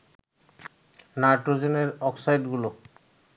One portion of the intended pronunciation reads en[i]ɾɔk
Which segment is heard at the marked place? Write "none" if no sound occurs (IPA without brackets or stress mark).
e